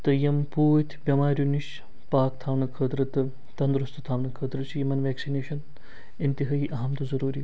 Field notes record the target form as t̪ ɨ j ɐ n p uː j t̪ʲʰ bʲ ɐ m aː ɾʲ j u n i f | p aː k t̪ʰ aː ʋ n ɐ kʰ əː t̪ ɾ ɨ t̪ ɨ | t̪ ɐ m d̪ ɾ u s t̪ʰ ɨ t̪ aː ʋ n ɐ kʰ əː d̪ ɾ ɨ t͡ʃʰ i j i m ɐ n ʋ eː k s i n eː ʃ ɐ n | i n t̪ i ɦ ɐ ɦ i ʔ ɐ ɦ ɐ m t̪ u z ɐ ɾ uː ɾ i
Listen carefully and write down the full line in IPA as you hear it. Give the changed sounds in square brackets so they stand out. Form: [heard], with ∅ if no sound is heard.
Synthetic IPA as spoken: t̪ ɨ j ɐ [m] p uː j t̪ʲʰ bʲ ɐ m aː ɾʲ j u n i [ʃ] | p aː k t̪ʰ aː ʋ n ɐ kʰ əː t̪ ɾ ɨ t̪ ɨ | t̪ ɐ [n] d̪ ɾ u s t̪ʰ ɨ [t̪ʰ] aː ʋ n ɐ kʰ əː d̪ ɾ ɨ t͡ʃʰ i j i m ɐ n ʋ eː k s i n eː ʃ ɐ n | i n t̪ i ɦ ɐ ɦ i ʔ ɐ ɦ ɐ m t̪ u z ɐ ɾ uː ɾ i